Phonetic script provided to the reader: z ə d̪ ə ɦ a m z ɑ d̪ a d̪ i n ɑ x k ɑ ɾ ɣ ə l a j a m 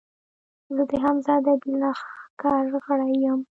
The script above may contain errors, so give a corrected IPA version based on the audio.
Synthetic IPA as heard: z ə d̪ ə ɦ a m z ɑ d̪ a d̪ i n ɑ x k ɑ ɾ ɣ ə ɽ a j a m